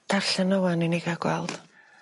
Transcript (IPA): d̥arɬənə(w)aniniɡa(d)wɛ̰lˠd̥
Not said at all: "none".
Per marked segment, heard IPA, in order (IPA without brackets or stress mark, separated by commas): w, ɡ